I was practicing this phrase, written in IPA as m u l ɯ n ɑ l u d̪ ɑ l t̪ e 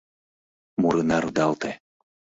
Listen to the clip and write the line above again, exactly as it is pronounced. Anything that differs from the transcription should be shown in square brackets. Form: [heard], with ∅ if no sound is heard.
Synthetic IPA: m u [ɾ] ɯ n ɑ [ɾ] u d̪ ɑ l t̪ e